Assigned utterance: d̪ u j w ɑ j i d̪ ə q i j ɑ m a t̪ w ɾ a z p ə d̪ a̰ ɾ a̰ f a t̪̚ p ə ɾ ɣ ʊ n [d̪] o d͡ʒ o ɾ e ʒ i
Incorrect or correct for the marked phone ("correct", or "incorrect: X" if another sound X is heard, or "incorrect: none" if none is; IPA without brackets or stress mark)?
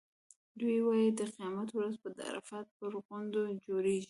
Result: correct